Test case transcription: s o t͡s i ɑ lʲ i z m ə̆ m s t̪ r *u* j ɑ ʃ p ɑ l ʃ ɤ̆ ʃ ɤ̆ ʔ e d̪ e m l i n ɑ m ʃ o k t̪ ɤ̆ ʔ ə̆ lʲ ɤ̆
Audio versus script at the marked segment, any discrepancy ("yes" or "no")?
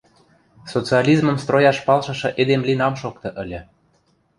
yes